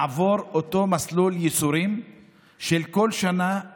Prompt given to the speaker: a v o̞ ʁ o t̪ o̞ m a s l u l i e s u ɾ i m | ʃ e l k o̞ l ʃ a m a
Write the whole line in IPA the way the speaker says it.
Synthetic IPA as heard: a v o̞ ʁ o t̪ o̞ m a s l u l j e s u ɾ i m | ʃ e l k o̞ l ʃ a n a